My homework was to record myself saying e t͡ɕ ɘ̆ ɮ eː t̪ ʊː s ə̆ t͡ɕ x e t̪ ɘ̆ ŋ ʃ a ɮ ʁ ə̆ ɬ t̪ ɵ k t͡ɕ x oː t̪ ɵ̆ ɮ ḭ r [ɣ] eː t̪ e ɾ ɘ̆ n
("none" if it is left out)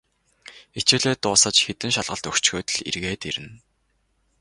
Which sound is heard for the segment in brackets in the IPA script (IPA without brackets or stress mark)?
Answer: ɣ